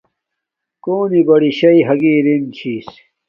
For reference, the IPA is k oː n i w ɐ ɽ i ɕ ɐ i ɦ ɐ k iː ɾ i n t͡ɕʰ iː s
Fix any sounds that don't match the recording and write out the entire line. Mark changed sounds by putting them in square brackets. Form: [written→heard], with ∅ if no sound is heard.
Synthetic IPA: k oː n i [w→b] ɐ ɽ i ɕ ɐ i ɦ ɐ [k→ɡ] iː ɾ i n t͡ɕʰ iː s